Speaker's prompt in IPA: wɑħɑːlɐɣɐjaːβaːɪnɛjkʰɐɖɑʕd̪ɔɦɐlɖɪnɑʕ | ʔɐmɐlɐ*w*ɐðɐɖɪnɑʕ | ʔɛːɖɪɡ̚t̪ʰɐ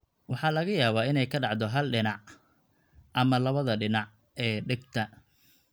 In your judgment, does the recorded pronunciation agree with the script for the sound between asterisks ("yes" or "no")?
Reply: no